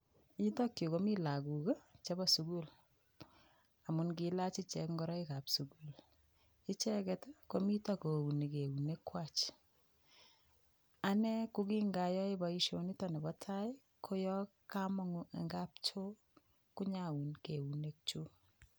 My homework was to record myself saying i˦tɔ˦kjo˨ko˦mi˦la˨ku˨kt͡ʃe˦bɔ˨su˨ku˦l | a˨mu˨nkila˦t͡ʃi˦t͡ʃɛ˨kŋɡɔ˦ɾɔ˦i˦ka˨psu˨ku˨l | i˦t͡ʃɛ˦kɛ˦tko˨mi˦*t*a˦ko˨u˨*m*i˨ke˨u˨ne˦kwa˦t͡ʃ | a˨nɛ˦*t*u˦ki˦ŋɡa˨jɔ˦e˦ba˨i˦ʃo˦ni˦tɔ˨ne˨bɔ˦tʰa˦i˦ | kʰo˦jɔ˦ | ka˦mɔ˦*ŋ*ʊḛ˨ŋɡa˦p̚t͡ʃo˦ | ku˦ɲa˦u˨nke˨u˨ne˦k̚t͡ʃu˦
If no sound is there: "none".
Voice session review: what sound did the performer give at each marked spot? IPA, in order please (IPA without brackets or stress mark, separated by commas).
t, n, k, ŋ